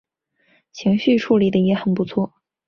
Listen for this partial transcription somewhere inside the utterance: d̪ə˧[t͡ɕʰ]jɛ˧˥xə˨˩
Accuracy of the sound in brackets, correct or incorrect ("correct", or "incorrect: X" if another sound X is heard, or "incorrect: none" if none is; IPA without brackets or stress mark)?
incorrect: none